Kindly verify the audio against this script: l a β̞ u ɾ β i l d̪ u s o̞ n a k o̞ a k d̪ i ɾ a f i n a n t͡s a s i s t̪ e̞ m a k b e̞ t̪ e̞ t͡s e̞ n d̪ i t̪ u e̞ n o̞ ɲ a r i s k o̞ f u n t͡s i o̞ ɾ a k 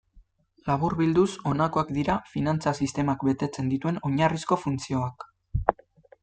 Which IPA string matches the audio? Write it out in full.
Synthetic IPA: l a β̞ u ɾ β i l d̪ u s o̞ n a k o̞ a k d̪ i ɾ a f i n a n t͡s a s i s t̪ e̞ m a k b e̞ t̪ e̞ t͡s e̞ n d̪ i t̪ u e̞ n o̞ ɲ a r i s k o̞ f u n t͡s i o̞ a k